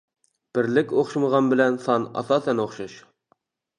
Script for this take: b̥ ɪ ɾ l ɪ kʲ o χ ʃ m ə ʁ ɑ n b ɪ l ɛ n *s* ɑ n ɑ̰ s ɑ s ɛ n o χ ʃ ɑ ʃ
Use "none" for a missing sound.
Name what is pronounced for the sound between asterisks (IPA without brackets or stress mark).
s